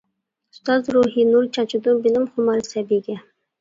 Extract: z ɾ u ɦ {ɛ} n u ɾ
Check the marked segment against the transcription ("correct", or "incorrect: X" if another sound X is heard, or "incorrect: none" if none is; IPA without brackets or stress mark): incorrect: i